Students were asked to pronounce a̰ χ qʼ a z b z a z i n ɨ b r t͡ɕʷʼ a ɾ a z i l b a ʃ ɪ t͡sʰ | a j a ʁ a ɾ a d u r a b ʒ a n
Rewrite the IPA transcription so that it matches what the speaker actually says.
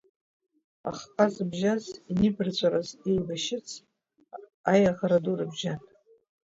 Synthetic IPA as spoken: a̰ χ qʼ a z b ʒ a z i n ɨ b r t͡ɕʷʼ a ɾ a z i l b a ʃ ɪ t͡sʰ | a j a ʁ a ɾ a d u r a b ʒ a n